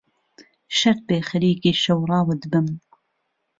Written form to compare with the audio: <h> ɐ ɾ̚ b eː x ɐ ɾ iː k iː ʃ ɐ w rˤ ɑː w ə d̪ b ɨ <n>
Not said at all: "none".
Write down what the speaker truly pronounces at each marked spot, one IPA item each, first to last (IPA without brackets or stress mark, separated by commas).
ʃ, m